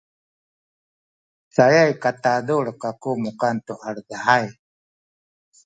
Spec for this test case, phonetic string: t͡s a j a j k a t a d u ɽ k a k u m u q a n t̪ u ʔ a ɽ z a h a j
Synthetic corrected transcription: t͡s a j a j k a t a d u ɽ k a k u m u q a n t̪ u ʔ a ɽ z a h a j